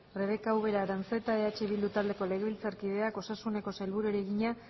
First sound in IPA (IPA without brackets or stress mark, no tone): r